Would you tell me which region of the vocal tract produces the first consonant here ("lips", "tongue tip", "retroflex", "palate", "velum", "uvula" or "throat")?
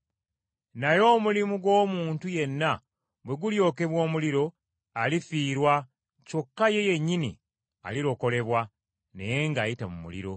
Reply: tongue tip